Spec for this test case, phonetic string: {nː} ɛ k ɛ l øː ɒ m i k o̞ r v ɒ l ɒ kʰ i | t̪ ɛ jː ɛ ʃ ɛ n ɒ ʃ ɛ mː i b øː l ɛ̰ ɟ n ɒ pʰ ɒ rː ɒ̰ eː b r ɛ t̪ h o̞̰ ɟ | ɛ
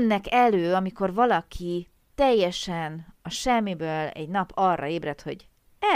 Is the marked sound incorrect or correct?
correct